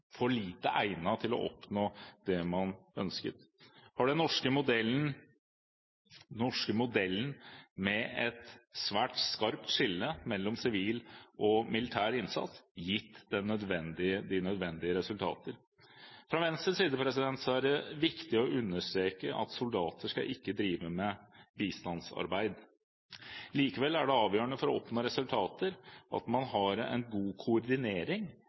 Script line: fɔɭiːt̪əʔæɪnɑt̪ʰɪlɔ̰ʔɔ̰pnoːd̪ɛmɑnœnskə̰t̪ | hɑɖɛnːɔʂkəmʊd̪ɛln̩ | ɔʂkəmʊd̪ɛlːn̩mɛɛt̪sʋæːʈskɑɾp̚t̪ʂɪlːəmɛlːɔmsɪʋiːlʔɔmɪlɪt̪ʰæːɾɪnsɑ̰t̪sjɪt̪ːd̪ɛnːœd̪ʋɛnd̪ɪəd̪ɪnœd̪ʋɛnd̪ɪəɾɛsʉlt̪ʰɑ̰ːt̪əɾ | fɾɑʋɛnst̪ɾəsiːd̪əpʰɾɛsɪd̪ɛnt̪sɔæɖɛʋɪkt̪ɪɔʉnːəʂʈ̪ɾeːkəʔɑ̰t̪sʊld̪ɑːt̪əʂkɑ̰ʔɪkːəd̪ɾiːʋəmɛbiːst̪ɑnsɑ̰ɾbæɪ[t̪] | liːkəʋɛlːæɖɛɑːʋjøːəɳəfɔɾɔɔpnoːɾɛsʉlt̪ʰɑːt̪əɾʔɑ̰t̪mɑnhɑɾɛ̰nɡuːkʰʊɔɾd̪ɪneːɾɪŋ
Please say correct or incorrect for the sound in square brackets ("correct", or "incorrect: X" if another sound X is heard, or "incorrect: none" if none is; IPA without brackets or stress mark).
incorrect: d̪